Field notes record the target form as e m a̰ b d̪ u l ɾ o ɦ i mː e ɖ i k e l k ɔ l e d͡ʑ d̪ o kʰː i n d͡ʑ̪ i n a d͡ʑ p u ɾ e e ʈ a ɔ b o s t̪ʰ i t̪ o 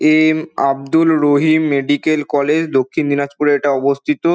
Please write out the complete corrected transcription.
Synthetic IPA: e m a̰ b d̪ u l ɾ o ɦ i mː e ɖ i k e l k ɔ l e d͡ʑ d̪ o kʰː i n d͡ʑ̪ i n a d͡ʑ p u ɾ e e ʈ a ɔ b o s t̪ʰ i t̪ o